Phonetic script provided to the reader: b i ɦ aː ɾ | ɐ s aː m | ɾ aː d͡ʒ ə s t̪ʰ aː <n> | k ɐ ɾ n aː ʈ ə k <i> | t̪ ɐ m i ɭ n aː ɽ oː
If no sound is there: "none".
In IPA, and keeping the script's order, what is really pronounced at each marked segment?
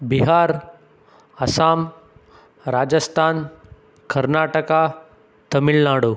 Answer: n, a

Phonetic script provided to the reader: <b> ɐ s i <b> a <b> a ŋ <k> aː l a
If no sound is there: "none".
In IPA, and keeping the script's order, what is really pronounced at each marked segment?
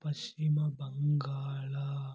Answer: p, m, b, ɡ

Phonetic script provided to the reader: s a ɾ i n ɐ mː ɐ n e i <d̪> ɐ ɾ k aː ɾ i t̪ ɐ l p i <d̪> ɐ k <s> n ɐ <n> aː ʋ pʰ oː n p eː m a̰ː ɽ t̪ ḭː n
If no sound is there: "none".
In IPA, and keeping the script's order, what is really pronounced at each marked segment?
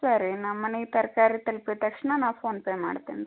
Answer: t̪, t̪, ʂ, n

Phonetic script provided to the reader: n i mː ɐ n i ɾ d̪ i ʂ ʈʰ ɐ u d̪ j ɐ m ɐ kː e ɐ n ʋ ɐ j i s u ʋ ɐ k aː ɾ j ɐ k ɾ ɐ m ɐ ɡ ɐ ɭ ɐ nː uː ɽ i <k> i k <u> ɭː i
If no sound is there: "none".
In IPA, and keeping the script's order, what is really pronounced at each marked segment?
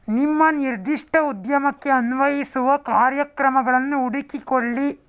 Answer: k, o

